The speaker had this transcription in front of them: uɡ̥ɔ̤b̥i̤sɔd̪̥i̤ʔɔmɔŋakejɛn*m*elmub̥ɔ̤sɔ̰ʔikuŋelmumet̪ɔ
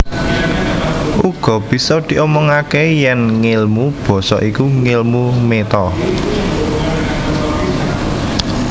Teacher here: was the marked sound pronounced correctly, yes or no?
no